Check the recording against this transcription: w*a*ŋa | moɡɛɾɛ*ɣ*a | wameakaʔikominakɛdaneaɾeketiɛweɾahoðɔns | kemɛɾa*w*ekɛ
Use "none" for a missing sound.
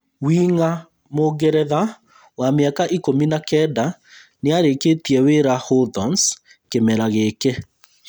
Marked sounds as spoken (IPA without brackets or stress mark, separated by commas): i, ð, ɣ